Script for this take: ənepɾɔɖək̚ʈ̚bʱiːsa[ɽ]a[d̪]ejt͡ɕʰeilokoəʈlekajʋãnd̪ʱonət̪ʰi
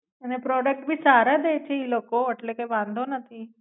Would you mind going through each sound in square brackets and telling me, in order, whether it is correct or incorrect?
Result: incorrect: ɾ, correct

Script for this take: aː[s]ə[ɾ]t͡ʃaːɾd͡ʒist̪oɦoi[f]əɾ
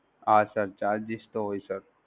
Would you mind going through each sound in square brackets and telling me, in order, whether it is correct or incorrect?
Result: correct, correct, incorrect: s

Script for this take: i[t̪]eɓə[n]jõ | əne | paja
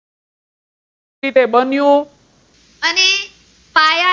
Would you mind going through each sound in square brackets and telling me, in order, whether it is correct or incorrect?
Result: correct, correct

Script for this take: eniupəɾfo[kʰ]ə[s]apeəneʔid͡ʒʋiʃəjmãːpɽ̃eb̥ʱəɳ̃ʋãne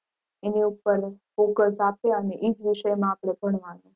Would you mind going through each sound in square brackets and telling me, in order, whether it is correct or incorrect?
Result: incorrect: k, correct

